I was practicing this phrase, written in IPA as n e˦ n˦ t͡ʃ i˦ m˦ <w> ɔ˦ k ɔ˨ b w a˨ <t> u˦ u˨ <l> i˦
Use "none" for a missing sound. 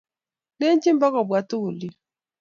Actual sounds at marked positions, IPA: b, t, l

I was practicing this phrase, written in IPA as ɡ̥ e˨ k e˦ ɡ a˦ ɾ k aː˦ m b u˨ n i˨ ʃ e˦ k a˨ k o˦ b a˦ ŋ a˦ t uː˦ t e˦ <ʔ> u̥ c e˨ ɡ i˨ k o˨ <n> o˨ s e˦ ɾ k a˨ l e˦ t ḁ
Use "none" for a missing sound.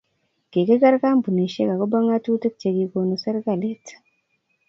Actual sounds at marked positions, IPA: k, n

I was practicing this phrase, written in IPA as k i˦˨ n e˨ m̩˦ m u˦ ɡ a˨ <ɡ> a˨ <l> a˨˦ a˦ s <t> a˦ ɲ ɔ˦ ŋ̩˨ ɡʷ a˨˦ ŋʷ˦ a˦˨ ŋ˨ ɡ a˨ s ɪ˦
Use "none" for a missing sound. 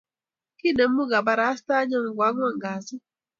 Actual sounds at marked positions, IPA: b, ɾ, t

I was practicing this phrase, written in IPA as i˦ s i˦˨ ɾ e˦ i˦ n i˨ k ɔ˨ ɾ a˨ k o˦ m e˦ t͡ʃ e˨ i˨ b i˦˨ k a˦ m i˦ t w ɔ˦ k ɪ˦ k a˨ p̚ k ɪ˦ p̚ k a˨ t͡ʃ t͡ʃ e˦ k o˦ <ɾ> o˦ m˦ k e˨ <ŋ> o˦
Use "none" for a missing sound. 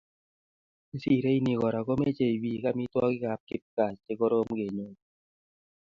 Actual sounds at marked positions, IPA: ɾ, ɲ

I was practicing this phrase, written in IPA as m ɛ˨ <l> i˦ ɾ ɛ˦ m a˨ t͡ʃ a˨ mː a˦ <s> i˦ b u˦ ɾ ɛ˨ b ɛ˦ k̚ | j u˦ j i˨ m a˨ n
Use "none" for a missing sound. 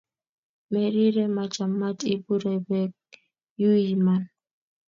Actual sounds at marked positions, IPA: ɾ, t

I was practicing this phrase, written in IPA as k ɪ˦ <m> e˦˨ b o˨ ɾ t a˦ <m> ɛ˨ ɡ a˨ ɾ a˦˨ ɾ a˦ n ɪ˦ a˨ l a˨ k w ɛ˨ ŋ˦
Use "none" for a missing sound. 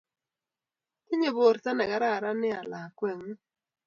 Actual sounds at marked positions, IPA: ɲ, n

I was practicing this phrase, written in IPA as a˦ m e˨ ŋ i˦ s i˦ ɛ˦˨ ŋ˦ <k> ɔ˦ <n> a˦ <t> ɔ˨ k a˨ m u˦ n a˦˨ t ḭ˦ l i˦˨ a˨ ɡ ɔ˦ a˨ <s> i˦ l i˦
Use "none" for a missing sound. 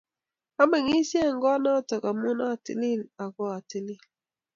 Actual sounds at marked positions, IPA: ɡ, n, t, t

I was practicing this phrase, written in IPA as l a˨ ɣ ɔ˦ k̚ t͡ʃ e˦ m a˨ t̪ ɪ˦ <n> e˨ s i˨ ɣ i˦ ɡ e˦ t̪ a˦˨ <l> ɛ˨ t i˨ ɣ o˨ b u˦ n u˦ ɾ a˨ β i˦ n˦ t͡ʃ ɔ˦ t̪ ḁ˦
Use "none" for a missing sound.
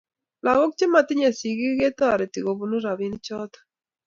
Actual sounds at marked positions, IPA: ɲ, ɾ

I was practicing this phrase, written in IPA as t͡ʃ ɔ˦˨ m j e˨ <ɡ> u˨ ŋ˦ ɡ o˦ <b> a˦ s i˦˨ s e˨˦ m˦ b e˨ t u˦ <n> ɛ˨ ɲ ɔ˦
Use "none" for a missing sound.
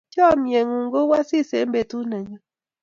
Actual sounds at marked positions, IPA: ŋ, w, n

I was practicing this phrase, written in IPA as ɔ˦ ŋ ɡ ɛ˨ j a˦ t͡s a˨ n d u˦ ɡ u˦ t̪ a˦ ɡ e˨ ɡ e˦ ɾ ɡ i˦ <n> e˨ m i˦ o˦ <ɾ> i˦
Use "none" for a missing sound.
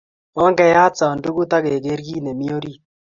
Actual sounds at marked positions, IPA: n, ɾ

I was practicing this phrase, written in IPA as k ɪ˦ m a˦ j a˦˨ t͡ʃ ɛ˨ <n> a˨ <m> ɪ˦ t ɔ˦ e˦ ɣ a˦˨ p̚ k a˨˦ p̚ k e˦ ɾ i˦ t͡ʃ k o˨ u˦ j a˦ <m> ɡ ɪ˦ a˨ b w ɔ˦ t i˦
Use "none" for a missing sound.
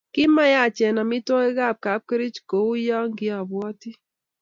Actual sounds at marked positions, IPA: n, m, ŋ

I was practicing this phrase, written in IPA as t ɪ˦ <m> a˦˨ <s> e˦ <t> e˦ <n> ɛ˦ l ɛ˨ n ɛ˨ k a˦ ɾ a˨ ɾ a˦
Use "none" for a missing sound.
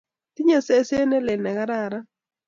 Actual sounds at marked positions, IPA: ɲ, s, s, n

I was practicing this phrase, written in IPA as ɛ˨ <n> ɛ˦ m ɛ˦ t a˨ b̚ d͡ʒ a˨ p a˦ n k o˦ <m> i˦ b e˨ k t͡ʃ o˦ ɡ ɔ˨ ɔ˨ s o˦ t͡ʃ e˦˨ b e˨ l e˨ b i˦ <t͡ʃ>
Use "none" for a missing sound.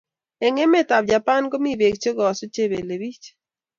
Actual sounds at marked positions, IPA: ŋ, m, t͡ʃ

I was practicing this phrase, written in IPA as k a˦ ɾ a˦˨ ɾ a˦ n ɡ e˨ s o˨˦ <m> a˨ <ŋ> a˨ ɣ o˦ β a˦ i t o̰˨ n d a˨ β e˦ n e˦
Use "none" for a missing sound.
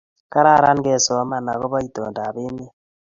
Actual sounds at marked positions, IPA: m, n

